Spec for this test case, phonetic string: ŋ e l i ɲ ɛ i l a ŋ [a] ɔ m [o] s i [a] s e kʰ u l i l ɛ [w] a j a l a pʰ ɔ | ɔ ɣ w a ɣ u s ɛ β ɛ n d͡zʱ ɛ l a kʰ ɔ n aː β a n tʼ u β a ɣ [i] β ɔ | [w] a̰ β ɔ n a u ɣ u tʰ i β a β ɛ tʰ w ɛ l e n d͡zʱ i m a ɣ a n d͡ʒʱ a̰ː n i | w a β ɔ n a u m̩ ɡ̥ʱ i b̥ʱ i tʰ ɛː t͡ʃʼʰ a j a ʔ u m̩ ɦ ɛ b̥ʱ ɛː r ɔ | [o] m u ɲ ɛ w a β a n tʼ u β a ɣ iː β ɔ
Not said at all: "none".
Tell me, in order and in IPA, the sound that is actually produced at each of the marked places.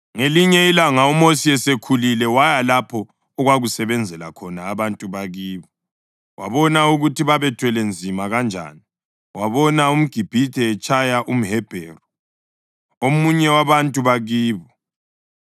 a, o, ɛ, w, iː, w, o

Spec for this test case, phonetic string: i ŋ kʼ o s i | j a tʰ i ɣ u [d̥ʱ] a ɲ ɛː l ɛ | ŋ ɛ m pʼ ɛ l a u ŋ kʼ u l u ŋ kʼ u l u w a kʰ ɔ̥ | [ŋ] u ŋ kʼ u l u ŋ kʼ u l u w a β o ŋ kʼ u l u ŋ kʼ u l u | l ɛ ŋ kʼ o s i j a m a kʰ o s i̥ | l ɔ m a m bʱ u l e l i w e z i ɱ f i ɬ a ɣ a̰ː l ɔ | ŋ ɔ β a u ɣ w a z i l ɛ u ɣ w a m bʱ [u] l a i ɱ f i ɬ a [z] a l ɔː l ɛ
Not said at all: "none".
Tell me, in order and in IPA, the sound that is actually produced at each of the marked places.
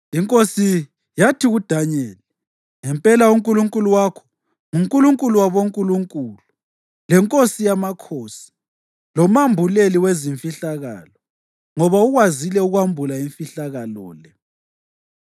d̥ʱ, ŋ, u, ɣ

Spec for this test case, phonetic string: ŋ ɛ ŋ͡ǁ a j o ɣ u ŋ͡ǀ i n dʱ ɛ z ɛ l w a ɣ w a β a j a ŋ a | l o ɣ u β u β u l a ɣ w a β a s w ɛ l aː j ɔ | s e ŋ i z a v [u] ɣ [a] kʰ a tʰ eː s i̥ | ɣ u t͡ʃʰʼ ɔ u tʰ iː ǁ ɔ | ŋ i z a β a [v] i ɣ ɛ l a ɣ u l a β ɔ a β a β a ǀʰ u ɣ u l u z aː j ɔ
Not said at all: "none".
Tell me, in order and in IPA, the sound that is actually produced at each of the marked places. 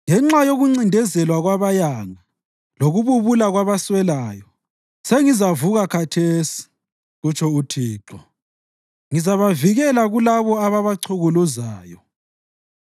u, a, v

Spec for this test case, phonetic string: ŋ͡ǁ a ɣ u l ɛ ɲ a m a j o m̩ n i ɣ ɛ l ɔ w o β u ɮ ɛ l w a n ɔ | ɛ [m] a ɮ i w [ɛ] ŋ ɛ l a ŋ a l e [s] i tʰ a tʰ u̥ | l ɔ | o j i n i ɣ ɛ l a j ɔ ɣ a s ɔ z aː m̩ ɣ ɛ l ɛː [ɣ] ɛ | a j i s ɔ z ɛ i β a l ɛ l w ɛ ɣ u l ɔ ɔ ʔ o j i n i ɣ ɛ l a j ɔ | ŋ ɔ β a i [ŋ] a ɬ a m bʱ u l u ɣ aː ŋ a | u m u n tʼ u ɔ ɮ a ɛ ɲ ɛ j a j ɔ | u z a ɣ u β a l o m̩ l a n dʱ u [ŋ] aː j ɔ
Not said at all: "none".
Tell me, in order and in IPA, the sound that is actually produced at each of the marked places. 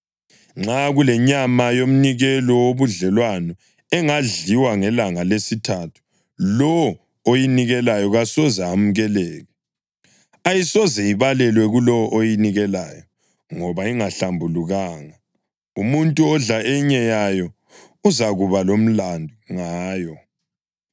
ŋ, a, s, ɣ, ŋ, ŋ

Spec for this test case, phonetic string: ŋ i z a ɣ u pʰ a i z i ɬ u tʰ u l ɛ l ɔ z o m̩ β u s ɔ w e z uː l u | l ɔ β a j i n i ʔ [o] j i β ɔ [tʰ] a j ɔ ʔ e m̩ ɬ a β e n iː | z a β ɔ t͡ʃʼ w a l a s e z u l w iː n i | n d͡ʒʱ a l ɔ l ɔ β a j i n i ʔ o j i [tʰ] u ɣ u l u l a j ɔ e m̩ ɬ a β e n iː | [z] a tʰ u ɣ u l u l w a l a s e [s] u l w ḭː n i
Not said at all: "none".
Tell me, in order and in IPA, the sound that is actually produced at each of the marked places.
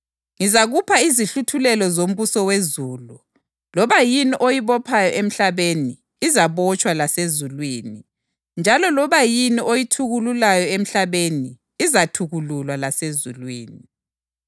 o, pʰ, tʰ, z, z

